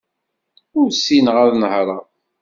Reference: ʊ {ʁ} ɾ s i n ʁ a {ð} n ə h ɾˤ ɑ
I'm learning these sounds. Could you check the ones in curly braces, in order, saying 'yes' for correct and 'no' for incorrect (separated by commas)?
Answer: no, yes